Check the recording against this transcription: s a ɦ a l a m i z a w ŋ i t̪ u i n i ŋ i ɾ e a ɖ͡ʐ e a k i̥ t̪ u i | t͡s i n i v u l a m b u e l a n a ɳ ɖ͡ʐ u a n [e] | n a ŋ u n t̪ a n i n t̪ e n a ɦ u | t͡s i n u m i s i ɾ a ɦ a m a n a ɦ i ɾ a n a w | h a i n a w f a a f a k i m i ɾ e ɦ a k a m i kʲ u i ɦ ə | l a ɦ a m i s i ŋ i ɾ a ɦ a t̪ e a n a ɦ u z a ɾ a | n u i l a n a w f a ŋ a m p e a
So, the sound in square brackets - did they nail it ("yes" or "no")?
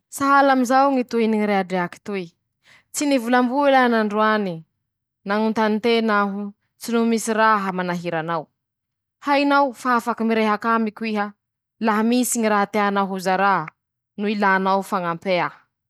no